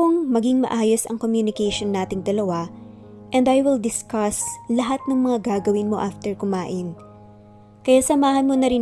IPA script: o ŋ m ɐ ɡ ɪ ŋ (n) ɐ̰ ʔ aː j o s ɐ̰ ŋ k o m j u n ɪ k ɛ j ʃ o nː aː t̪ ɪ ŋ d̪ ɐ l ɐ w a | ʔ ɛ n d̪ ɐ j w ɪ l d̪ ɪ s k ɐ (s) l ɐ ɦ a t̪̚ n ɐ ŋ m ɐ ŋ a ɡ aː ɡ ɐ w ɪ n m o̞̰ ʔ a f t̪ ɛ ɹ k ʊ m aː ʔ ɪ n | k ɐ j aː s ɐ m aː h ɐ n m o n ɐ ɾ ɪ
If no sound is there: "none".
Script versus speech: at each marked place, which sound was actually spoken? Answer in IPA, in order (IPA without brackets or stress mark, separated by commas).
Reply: m, s